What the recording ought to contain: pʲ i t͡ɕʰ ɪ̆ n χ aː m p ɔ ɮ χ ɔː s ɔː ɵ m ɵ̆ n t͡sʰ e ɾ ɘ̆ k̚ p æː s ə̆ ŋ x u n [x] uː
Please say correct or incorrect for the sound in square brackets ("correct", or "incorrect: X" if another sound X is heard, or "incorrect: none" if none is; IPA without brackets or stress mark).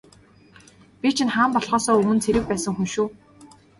incorrect: ʃ